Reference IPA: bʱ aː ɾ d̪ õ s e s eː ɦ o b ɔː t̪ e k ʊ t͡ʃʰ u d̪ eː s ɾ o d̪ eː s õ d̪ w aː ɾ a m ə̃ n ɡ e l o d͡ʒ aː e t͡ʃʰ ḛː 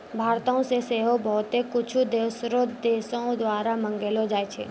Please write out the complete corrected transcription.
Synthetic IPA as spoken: bʱ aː ɾ t̪ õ s e s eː ɦ o b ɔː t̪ e k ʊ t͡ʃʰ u d̪ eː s ɾ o d̪ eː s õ d̪ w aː ɾ a m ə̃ ŋ ɡ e l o d͡ʒ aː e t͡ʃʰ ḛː